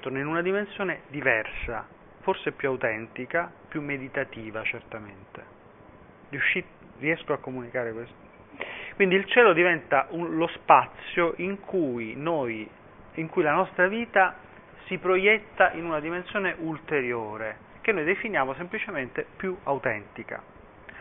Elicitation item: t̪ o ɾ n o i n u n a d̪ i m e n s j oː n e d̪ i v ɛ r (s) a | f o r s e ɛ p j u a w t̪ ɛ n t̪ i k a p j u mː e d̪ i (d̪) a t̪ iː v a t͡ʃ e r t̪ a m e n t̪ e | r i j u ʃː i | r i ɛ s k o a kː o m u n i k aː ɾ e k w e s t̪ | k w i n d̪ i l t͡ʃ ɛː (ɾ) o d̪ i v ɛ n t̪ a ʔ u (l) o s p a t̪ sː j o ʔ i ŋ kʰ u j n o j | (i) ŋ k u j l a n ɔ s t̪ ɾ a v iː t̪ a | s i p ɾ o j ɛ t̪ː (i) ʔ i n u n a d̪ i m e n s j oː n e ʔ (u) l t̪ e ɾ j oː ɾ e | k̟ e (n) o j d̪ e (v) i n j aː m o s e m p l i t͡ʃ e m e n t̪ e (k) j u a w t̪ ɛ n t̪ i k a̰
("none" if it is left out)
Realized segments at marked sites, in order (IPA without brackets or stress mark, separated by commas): s, t̪, l, l, i, a, u, nː, f, p